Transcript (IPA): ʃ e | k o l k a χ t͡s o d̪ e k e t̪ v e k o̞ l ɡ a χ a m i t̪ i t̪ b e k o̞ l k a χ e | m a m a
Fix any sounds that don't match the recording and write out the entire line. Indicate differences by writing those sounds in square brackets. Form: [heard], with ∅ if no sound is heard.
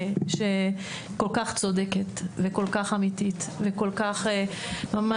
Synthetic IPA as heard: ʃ e | k o l k a χ t͡s o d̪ e k e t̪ v e k o̞ l [k] a χ a m i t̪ i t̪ [v] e k o̞ l k a χ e | m a m a